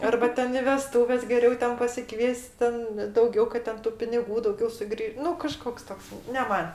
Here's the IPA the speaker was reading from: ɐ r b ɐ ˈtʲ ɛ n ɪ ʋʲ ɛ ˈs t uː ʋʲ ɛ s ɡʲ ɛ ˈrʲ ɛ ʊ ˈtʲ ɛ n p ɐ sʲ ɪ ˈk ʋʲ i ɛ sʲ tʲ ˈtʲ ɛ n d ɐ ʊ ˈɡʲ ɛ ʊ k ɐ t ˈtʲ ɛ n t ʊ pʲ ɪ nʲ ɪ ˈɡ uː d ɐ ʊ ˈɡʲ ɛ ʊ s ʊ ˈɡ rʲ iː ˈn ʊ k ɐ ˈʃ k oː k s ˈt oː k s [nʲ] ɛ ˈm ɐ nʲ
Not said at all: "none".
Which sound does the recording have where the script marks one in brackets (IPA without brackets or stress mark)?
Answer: nʲ